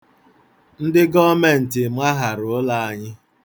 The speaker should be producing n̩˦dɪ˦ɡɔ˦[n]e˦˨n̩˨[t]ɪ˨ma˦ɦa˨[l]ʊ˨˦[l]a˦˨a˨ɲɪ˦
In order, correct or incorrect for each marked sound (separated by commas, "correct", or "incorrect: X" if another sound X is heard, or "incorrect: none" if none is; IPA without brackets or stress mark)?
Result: incorrect: m, correct, incorrect: ɾ, correct